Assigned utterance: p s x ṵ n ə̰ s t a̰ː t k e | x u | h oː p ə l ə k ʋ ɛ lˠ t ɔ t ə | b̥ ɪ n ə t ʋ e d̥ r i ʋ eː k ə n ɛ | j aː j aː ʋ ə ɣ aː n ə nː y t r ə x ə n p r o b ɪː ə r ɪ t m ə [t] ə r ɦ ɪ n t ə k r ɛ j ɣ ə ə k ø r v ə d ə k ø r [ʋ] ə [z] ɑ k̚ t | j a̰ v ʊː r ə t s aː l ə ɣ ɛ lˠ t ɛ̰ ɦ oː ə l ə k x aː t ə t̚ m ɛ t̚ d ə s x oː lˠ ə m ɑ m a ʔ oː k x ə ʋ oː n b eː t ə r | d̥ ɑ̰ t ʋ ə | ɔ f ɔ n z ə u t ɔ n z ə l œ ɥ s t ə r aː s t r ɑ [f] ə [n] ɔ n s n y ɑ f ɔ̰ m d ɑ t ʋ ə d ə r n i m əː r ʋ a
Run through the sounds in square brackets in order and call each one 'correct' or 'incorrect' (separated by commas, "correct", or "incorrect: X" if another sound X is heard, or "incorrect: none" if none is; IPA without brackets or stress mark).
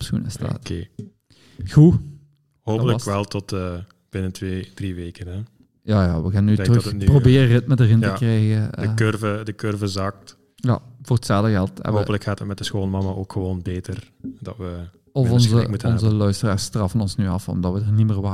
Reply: incorrect: d, incorrect: v, correct, correct, correct